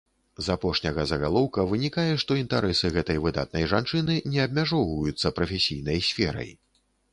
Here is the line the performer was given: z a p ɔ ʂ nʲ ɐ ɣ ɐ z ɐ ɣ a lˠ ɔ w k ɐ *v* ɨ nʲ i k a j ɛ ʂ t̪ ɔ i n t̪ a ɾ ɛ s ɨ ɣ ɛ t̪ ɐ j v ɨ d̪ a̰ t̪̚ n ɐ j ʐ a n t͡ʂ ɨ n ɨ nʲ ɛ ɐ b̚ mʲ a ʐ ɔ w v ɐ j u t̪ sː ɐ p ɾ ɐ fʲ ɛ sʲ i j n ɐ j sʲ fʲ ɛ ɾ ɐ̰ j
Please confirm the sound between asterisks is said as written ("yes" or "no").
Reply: yes